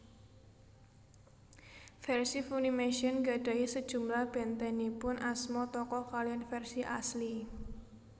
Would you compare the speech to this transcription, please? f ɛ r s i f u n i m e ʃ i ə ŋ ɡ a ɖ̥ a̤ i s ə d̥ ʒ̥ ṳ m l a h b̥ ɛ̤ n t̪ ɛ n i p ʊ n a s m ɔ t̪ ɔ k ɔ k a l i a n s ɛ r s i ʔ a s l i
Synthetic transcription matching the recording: f ɛ r s i f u n i m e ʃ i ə n ɡ a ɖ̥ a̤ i s ə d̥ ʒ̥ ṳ m l a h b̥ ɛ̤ n t̪ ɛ n i p ʊ n a s m ɔ t̪ ɔ k ɔ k a l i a n f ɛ r s i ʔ a s l i